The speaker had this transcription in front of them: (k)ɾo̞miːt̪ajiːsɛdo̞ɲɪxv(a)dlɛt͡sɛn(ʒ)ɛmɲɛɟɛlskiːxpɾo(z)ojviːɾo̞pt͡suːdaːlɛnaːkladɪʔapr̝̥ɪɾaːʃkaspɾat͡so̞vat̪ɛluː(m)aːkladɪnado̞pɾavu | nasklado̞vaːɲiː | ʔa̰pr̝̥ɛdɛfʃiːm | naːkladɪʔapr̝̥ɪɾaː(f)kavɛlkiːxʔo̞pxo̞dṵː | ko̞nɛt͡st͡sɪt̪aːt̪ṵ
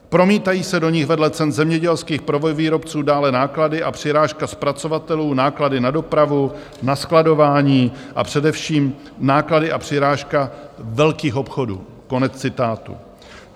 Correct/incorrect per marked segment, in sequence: incorrect: p, incorrect: ɛ, incorrect: z, incorrect: v, incorrect: n, incorrect: ʃ

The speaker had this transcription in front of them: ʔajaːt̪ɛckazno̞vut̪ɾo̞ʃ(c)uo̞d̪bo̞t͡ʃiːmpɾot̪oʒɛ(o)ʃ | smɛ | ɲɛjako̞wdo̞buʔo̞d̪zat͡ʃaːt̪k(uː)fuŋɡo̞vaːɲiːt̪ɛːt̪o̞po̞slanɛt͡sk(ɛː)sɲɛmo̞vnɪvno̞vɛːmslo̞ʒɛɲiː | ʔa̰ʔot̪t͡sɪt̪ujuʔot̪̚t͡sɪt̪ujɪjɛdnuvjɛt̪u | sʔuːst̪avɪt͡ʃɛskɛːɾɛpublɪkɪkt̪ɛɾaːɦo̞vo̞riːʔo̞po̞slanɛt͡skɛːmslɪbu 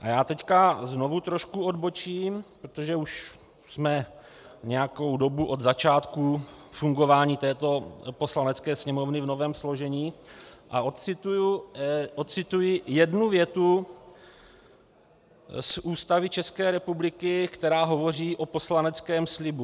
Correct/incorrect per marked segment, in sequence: incorrect: k, incorrect: u, incorrect: u, correct

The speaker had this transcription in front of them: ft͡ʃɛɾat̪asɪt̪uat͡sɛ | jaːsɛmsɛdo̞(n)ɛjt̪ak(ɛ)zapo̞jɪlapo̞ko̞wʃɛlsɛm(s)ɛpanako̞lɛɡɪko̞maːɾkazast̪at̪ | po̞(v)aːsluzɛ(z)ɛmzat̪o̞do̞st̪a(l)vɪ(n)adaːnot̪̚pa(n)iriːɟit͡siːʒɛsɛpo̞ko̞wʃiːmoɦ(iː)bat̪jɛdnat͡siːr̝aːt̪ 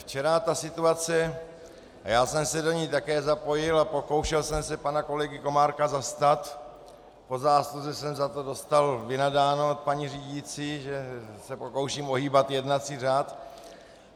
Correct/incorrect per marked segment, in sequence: incorrect: ɲ, incorrect: ɛː, correct, incorrect: z, incorrect: s, correct, correct, incorrect: ɲ, correct

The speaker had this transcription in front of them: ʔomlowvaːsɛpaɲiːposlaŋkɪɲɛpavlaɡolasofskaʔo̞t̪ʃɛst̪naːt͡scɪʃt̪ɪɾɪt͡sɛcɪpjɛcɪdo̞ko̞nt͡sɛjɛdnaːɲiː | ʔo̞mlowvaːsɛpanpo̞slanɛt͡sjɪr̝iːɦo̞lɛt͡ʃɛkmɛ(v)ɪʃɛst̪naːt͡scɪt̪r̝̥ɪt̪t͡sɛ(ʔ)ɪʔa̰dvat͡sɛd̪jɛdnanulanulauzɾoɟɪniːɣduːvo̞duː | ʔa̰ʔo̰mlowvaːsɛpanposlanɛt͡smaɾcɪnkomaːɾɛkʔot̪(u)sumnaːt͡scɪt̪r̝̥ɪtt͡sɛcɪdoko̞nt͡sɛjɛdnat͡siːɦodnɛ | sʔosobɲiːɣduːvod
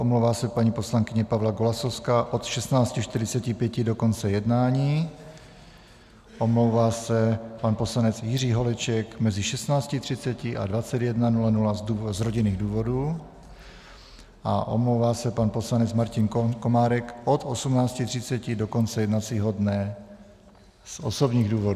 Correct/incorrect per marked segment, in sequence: incorrect: z, incorrect: c, incorrect: o

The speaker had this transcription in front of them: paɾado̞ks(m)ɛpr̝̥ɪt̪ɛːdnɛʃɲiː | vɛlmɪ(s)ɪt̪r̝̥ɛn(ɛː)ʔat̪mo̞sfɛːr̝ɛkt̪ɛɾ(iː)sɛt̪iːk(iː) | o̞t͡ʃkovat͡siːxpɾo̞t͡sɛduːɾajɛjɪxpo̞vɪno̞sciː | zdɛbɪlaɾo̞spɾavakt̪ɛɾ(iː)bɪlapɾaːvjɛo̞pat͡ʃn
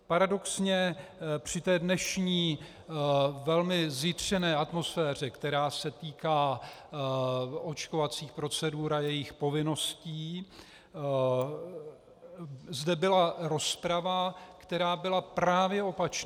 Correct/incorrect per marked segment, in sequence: incorrect: ɲ, incorrect: z, correct, incorrect: aː, incorrect: aː, incorrect: aː

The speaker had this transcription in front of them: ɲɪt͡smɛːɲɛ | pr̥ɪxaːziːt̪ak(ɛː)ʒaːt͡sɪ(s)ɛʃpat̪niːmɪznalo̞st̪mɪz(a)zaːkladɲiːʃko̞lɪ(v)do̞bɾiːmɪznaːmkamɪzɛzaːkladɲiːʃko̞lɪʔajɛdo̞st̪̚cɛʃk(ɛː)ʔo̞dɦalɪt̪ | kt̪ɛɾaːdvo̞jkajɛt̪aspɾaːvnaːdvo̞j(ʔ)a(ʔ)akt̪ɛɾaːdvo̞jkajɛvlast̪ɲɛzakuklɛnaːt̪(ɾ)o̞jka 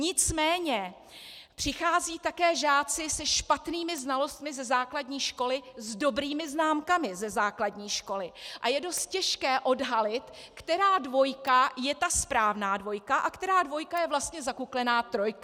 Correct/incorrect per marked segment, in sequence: correct, correct, incorrect: ɛ, incorrect: z, correct, incorrect: k, correct, correct

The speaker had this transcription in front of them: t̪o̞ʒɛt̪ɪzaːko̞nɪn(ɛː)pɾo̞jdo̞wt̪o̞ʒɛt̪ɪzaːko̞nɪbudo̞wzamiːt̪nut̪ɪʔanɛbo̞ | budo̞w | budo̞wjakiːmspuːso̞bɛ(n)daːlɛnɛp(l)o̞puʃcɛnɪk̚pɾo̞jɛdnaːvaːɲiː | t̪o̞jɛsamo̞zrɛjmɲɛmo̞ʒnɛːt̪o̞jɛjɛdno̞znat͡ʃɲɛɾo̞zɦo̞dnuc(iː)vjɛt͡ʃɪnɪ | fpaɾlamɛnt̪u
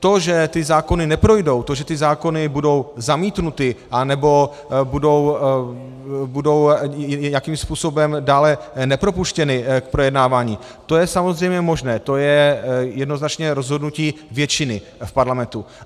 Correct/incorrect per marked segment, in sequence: incorrect: ɛ, incorrect: m, incorrect: ɾ, correct

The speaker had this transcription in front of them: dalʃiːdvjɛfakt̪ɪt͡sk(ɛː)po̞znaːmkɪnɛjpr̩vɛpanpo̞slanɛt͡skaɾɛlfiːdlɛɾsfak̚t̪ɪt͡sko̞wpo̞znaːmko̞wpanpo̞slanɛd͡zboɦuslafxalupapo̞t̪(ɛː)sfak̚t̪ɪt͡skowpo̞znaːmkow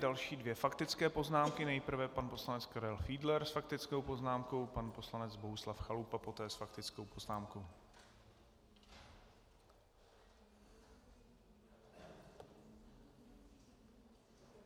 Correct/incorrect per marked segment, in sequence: correct, correct

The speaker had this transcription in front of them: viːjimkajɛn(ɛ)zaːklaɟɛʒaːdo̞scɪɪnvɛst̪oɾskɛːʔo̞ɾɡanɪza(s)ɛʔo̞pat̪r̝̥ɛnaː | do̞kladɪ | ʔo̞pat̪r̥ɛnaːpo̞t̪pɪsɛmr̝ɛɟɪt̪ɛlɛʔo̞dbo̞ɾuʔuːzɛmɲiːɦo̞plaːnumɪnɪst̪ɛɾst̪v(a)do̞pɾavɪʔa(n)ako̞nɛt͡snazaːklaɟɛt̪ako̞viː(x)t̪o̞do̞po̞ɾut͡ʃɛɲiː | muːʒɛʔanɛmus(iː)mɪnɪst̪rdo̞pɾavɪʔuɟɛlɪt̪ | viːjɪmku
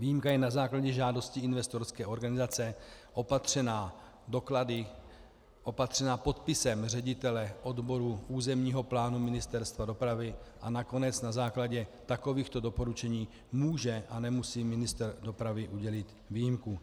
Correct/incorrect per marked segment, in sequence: incorrect: a, incorrect: t͡s, correct, correct, correct, correct

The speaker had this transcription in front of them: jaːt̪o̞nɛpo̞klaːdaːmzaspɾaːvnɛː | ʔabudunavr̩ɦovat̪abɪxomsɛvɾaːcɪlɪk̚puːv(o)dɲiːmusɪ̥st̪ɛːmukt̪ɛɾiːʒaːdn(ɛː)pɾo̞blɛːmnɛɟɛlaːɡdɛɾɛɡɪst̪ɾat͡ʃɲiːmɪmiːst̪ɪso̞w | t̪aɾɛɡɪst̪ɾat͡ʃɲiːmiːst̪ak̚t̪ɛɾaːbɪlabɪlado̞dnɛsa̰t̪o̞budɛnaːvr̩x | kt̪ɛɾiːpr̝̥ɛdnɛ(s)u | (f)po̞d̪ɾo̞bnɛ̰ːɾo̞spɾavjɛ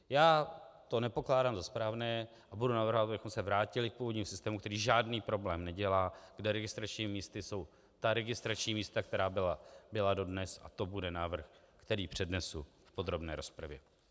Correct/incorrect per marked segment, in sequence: correct, incorrect: iː, correct, correct

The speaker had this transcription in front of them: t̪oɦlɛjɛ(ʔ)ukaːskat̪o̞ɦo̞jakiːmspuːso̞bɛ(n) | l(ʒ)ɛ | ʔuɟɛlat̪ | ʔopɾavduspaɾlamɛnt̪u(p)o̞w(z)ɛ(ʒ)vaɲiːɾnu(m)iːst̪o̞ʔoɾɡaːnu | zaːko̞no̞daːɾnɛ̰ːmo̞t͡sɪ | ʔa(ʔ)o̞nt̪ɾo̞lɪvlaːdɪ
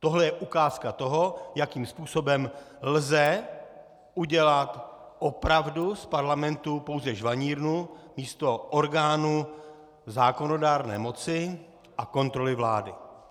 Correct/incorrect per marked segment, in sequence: correct, incorrect: m, incorrect: z, correct, correct, correct, correct, incorrect: k

